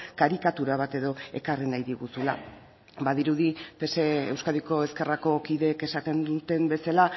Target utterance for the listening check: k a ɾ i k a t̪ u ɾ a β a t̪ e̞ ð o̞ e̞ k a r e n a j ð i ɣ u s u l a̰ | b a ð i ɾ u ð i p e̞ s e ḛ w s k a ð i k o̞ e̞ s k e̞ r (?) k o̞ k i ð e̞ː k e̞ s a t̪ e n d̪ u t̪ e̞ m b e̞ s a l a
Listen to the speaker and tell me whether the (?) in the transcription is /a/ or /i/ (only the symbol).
a